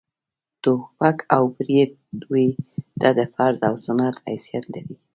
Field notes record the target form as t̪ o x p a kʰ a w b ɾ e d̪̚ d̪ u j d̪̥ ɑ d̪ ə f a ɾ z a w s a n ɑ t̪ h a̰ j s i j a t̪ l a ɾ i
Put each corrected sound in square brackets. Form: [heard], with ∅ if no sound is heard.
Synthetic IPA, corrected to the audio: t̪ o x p a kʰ a w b ɾ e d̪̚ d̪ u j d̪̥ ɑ d̪ ə f a ɾ z a w s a n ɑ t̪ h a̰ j s i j a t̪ l a ɾ i